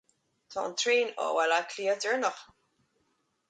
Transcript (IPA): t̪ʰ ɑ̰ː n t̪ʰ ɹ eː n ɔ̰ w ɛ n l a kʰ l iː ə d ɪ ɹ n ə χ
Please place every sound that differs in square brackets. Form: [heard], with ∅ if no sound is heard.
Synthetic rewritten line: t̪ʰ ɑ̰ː n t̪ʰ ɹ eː n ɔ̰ w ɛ [∅] l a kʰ l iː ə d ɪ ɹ n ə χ